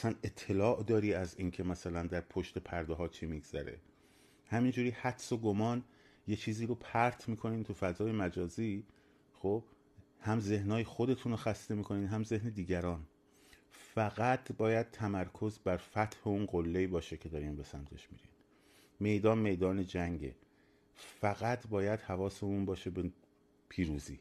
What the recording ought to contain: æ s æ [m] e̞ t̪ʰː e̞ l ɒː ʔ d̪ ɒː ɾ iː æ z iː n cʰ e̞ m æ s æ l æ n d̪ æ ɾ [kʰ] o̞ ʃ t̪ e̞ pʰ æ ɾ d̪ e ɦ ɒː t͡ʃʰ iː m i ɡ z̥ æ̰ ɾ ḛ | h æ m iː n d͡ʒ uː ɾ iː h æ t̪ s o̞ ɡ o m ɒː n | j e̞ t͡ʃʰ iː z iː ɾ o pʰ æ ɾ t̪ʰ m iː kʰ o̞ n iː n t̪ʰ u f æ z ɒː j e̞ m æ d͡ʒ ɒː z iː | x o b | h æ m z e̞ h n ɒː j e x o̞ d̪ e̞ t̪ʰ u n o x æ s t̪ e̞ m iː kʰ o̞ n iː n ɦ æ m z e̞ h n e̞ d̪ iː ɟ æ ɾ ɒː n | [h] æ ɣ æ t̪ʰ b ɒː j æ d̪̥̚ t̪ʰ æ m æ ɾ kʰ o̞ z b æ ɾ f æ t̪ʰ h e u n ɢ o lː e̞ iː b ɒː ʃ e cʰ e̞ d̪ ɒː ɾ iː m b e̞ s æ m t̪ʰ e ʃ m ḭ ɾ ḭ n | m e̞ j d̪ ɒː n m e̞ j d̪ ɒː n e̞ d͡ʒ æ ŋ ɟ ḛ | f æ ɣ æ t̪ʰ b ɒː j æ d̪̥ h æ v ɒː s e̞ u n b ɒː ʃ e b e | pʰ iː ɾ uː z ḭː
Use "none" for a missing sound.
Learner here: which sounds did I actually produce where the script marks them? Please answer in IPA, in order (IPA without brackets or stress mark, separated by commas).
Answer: n, pʰ, f